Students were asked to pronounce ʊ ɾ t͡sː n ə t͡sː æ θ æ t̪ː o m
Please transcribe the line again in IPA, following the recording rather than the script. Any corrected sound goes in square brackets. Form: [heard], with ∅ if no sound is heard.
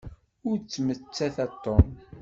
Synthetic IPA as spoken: ʊ ɾ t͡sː [m] ə t͡sː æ θ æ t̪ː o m